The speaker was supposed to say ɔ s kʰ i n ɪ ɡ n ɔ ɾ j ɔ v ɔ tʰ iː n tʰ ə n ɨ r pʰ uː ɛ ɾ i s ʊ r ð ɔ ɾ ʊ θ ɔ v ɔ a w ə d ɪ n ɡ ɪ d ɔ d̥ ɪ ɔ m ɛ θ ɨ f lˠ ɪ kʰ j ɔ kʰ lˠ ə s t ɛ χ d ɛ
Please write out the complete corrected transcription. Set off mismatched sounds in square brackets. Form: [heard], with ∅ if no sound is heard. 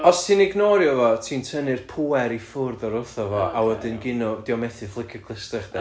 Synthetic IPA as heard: ɔ s [tʰ] i n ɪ ɡ n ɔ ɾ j ɔ v ɔ tʰ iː n tʰ ə n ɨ r pʰ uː ɛ ɾ i [f] ʊ r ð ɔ ɾ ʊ θ ɔ v ɔ a w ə d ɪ n ɡ ɪ [n] ɔ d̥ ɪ ɔ m ɛ θ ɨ f lˠ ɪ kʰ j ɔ kʰ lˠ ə s t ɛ χ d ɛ